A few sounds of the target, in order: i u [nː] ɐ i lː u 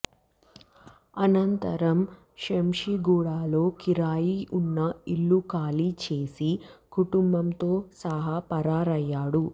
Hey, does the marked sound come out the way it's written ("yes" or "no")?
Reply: yes